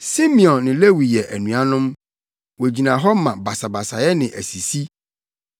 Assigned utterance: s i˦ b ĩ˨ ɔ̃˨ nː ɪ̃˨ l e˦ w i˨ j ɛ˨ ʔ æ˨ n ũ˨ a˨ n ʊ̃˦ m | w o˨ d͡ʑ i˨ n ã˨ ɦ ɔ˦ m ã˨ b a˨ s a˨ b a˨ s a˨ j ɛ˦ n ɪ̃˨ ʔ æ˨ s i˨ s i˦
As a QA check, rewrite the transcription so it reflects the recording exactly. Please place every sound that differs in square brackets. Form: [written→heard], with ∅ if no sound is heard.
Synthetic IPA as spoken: s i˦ [b→m] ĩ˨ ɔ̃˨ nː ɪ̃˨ l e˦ w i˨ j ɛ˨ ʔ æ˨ n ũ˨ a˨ n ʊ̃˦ m | w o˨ d͡ʑ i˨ n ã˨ ɦ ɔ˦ m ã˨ b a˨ s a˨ b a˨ s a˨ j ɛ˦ n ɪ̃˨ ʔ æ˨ s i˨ s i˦